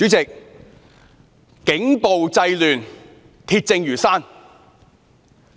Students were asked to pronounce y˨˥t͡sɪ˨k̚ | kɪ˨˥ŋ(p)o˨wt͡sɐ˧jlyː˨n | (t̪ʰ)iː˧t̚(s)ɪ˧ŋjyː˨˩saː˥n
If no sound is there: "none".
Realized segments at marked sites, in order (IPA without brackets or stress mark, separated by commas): p, t̪ʰ, t͡s